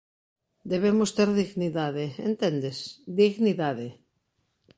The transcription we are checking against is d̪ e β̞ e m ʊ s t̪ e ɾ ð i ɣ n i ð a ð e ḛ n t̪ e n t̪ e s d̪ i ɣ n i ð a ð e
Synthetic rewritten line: d̪ e β̞ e m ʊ s t̪ e ɾ ð i ɣ n i ð a ð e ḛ n t̪ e n d̪ e s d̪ i ɣ n i ð a ð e